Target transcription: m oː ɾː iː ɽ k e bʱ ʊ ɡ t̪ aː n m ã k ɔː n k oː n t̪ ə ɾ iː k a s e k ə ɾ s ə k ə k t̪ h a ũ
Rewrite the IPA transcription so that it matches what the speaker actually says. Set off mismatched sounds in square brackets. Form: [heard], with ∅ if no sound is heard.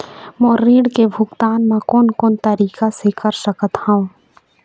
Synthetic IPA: m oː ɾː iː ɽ k e bʱ ʊ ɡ t̪ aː n m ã k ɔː n k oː n t̪ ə ɾ iː k a s e k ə ɾ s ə k ə [∅] t̪ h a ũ